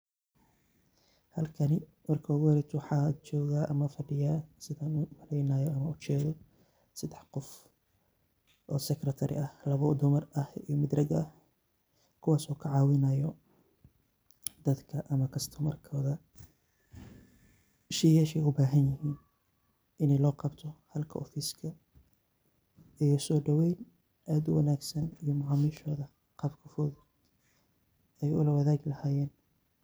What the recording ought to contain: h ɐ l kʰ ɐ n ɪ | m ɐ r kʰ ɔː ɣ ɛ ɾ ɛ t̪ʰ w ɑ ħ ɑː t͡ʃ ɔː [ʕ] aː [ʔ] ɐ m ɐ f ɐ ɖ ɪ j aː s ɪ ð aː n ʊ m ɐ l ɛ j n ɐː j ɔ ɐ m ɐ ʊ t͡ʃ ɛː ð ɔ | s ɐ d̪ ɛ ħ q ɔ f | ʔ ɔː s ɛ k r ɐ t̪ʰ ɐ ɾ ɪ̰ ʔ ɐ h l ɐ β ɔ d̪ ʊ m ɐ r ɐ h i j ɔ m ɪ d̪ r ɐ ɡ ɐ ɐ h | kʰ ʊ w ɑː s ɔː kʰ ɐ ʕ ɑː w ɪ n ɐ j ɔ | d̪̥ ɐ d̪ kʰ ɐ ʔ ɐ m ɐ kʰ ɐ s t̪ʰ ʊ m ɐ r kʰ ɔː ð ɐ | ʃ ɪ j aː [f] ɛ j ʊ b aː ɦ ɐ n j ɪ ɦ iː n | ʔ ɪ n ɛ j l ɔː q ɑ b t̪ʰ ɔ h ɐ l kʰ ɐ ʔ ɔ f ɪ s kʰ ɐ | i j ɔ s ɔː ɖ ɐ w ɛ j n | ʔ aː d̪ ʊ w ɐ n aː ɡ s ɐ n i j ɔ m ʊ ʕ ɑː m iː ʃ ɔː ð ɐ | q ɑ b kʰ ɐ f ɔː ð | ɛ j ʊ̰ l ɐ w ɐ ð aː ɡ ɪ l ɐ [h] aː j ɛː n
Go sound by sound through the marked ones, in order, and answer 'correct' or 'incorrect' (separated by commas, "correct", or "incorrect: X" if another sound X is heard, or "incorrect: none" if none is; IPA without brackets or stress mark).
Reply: incorrect: ɣ, correct, incorrect: ʃ, correct